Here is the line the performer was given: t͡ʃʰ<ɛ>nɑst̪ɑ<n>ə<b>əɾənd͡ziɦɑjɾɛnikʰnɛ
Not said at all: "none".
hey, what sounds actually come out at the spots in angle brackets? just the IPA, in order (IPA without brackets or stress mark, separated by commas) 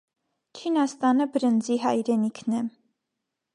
i, n, b